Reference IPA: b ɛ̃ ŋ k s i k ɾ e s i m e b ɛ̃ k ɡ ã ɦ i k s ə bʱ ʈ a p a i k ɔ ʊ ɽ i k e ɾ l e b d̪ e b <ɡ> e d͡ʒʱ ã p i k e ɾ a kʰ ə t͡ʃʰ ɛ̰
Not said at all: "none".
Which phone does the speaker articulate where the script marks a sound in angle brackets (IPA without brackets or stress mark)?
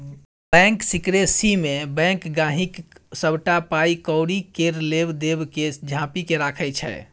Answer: k